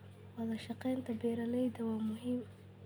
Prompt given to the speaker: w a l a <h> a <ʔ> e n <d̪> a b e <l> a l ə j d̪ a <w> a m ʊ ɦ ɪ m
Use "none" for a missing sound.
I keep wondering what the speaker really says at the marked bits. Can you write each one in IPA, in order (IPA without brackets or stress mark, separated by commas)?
ʃ, q, t̪, ɾ, w